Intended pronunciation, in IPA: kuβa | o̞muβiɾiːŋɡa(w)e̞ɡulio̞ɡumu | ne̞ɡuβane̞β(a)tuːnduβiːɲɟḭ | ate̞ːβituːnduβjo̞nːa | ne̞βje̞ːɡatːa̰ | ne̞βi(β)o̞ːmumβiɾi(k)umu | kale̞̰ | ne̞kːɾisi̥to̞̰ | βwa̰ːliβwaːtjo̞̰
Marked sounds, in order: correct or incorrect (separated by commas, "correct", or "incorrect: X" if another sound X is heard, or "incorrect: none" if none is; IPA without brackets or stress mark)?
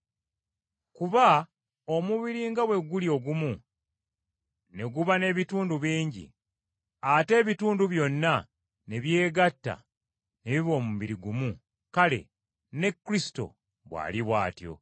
correct, incorrect: i, correct, incorrect: ɡ